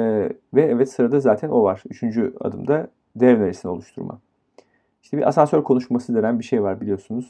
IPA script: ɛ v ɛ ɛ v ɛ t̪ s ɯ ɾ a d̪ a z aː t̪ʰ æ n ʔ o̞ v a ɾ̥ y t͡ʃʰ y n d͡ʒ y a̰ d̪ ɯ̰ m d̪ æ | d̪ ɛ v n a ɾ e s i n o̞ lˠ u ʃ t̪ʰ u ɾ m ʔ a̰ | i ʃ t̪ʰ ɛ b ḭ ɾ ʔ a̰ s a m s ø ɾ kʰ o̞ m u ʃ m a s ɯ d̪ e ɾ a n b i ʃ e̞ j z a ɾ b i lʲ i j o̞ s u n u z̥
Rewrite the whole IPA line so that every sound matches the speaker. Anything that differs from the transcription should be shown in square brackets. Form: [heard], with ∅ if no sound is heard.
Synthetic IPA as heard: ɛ v ɛ ɛ v ɛ t̪ s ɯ ɾ a d̪ a z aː t̪ʰ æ n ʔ o̞ v a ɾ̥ y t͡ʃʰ y n d͡ʒ y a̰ d̪ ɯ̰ m d̪ [a] | d̪ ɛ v n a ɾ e s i n o̞ lˠ u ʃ t̪ʰ u ɾ m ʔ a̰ | i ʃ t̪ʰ ɛ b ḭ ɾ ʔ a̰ s a [n] s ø ɾ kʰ o̞ [n] u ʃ m a s ɯ d̪ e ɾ [æ] n b i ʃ e̞ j [v] a ɾ b i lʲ i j o̞ s u n u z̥